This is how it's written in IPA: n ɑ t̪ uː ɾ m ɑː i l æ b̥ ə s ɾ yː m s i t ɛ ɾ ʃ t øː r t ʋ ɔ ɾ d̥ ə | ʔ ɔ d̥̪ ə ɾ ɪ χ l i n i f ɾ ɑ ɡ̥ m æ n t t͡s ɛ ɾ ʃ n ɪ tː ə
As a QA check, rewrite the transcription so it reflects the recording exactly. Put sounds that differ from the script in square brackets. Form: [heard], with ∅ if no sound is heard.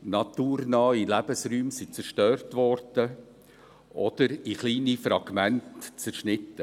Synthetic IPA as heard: n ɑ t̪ uː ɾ [n] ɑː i l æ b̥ ə s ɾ yː m s i [t͡s] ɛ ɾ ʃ t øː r t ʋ ɔ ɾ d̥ ə | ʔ ɔ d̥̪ ə ɾ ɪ χ l [iː] n i f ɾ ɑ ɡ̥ m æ n t t͡s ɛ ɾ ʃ n ɪ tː ə